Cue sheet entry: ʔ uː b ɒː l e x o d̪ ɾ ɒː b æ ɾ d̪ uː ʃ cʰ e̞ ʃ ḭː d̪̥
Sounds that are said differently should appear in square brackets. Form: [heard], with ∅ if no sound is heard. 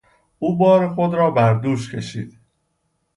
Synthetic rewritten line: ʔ uː b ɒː [ɾ] e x o d̪ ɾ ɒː b æ ɾ d̪ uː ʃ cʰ e̞ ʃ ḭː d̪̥

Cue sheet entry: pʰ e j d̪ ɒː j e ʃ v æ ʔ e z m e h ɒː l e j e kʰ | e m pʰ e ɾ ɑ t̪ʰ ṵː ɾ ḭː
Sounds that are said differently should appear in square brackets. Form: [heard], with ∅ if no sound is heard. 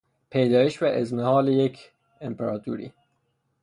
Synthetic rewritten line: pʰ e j d̪ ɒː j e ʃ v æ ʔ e z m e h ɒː l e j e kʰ | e m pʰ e ɾ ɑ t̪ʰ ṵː ɾ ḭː

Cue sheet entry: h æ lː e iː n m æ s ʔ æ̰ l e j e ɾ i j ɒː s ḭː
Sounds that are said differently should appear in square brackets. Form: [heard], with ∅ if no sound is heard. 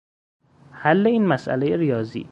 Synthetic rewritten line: h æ lː e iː n m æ s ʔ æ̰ l e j e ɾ i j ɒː [z] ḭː

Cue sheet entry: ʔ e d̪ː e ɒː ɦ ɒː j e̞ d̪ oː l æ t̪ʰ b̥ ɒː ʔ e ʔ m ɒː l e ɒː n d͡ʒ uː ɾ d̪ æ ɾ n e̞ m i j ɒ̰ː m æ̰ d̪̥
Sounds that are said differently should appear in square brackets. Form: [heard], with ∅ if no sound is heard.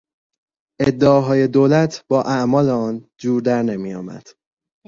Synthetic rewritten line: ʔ e d̪ː e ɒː ɦ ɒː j e̞ d̪ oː l æ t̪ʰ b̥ ɒː ʔ [æ] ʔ m ɒː l e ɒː n d͡ʒ uː ɾ d̪ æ ɾ n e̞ m i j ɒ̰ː m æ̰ d̪̥

